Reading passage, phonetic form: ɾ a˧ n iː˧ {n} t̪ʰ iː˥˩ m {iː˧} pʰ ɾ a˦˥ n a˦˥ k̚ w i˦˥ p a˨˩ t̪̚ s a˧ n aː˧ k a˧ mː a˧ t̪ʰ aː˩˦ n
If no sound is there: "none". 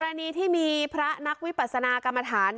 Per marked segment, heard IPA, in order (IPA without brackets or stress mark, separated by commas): none, iː˧